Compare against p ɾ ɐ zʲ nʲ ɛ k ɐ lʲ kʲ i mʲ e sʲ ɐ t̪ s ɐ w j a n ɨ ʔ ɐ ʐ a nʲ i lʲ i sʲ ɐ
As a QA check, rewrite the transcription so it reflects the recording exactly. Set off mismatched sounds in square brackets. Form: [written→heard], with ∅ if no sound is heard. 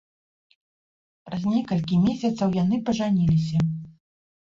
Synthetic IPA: p ɾ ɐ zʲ nʲ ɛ k ɐ lʲ kʲ i mʲ e sʲ ɐ t̪ s ɐ w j a n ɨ [ʔ→p] ɐ ʐ a nʲ i lʲ i sʲ ɐ